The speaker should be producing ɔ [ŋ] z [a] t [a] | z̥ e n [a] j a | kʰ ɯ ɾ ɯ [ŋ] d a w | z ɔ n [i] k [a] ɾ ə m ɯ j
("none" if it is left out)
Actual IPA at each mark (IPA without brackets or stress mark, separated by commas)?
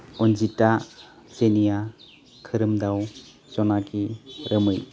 n, i, a, i, m, a, i